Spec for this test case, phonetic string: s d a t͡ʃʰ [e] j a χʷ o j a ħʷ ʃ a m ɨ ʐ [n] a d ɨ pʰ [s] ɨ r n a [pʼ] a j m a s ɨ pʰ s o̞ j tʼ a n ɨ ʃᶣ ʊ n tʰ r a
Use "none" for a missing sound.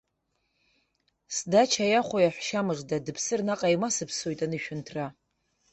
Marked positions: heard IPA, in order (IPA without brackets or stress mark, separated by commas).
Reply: a, d, s, qʼ